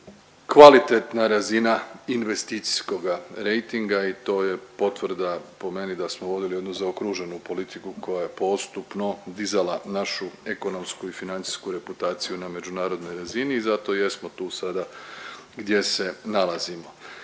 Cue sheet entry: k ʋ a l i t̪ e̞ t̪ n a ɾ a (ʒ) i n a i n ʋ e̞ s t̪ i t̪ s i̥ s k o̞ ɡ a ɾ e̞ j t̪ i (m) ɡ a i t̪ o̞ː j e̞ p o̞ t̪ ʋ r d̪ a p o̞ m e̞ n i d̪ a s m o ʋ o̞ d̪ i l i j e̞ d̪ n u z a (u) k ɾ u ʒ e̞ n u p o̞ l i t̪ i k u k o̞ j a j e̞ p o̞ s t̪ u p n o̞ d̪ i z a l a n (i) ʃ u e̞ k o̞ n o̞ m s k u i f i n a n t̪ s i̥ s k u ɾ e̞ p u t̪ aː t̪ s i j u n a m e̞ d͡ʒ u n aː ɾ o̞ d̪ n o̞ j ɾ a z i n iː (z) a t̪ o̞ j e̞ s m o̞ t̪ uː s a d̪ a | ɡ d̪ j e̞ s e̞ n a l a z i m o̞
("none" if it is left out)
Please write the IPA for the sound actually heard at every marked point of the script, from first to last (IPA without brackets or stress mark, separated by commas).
z, ŋ, o, a, z